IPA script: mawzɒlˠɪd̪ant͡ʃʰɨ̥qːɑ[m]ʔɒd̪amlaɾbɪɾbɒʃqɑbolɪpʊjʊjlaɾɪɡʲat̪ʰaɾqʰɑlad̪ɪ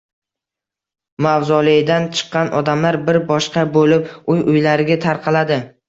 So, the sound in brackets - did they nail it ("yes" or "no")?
no